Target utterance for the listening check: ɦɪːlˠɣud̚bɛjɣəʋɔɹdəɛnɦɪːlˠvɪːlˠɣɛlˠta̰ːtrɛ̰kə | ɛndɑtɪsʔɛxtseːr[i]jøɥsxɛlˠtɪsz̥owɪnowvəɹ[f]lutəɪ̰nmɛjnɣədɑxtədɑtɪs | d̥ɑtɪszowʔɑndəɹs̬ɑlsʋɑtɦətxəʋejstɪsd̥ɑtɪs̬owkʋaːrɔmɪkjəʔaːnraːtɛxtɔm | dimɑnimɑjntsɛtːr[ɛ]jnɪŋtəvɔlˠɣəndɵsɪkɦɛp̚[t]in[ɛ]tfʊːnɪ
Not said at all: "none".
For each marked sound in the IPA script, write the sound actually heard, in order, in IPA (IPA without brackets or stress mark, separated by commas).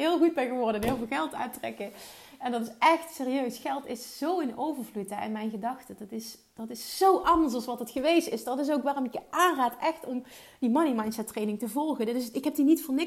i, v, e, d, i